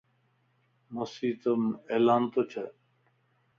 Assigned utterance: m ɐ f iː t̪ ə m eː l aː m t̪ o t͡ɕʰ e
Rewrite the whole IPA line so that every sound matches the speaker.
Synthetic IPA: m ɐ s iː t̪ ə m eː l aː n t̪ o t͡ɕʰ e